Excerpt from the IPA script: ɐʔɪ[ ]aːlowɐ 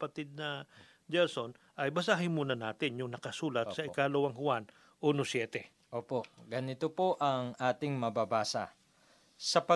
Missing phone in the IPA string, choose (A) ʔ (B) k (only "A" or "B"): B